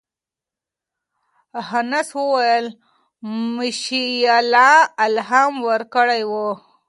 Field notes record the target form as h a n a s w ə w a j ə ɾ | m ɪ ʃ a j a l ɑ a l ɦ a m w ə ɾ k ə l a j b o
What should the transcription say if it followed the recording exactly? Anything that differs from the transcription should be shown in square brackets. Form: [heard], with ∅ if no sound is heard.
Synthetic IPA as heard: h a n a s w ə w a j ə [l] | m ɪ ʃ [i] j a l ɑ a l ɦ a m w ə ɾ k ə [ɽ] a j [w] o